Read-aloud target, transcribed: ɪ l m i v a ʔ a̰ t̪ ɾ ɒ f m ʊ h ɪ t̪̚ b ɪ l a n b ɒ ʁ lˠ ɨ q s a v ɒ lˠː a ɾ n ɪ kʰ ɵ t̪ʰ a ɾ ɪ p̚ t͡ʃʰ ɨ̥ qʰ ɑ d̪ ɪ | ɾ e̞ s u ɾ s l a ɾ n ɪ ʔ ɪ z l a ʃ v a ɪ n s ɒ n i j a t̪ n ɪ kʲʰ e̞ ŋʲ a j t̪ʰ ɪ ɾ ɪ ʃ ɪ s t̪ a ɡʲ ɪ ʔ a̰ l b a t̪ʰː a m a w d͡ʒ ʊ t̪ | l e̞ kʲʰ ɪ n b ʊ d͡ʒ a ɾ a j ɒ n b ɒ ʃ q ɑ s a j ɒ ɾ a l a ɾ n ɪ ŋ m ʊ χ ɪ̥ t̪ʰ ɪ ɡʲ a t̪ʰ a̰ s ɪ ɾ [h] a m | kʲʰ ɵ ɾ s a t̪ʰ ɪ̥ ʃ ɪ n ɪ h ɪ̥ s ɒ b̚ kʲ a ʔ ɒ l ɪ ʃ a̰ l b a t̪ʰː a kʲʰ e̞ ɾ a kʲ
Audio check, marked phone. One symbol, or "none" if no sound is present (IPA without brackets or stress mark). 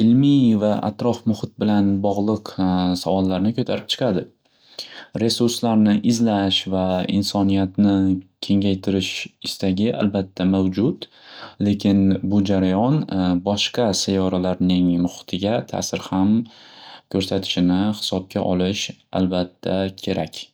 h